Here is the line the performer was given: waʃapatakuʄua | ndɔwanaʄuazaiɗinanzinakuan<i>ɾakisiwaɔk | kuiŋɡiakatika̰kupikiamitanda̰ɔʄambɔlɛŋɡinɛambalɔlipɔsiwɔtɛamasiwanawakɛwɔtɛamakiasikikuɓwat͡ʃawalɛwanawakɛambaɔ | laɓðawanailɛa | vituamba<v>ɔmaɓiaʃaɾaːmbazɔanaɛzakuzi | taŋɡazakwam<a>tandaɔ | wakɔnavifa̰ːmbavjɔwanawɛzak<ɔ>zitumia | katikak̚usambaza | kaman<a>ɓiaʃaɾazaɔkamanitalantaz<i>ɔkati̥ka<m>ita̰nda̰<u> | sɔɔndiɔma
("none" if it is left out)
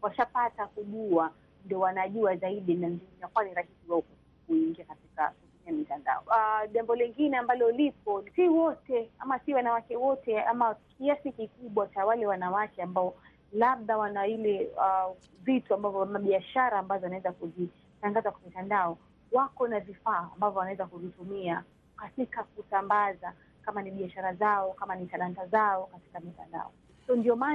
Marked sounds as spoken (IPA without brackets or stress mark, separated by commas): i, v, i, u, i, a, m, ɔ